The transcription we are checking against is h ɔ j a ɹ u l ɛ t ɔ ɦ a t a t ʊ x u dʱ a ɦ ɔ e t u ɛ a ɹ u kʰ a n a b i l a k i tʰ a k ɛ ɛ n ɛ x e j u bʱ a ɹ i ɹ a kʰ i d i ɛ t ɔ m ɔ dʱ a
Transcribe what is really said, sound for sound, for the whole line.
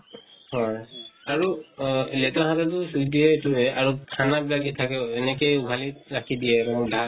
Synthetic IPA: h ɔ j a ɹ u l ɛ t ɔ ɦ a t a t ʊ s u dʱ i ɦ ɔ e t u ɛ a ɹ u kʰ a n a b i l a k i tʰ a k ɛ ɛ n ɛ k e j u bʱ a l i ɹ a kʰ i d i ɛ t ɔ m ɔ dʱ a